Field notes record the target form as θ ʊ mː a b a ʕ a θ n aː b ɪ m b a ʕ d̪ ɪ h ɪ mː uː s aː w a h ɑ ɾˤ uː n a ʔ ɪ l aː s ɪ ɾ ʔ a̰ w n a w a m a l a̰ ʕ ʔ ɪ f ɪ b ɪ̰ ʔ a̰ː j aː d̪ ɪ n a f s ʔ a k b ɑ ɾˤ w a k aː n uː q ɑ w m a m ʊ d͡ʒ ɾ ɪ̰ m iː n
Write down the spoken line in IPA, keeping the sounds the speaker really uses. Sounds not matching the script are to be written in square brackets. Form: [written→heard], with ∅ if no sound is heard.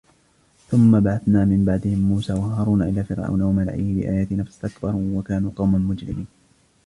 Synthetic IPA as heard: θ ʊ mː a b a ʕ a θ n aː [b→m] ɪ m b a ʕ d̪ ɪ h ɪ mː uː s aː w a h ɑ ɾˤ uː n a ʔ ɪ l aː [s→f] ɪ ɾ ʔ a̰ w n a w a m a l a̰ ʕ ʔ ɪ [f→h] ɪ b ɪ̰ ʔ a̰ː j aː [d̪→t̪] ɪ n a f s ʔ a k b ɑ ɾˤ w a k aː n uː q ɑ w m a m ʊ d͡ʒ ɾ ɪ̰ m iː n